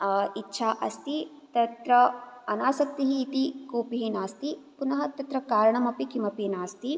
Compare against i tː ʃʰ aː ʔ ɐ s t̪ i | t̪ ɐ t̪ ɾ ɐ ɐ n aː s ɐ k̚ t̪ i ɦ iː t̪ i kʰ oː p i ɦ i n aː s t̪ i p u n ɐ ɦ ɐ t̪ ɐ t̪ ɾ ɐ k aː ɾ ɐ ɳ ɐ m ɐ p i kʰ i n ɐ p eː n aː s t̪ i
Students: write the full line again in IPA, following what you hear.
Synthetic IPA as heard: i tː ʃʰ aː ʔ ɐ s t̪ i | t̪ ɐ t̪ ɾ ɐ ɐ n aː s ɐ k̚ t̪ i ɦ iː t̪ i k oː p i ɦ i n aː s t̪ i p u n ɐ ɦ ɐ t̪ ɐ t̪ ɾ ɐ k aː ɾ ɐ ɳ ɐ m ɐ p i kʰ i m ɐ p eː n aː s t̪ i